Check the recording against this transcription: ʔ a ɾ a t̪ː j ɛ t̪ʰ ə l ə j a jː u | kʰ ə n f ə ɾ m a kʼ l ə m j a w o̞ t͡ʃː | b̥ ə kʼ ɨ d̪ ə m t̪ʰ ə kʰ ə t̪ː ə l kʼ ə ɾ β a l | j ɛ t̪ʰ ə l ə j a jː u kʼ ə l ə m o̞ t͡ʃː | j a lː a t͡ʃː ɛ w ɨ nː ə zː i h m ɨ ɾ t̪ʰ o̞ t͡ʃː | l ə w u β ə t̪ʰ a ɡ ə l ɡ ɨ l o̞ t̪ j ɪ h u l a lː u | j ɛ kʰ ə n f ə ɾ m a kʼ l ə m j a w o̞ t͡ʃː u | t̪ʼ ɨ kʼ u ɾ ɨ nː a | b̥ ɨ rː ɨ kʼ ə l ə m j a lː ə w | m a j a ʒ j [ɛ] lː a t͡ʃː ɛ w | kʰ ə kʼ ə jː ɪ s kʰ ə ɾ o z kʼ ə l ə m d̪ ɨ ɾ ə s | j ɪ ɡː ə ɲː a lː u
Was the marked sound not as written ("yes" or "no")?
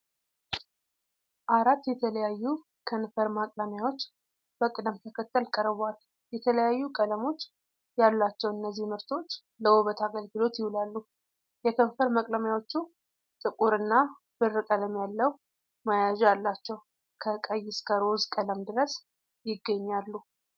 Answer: yes